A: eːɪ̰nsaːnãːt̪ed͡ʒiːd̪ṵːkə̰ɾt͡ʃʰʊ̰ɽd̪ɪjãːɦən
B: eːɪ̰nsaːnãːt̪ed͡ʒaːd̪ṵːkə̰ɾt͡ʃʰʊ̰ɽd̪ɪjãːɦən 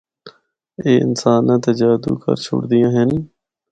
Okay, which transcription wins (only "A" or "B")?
B